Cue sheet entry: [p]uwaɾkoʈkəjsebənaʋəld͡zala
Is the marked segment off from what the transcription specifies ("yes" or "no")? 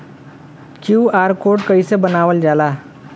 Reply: yes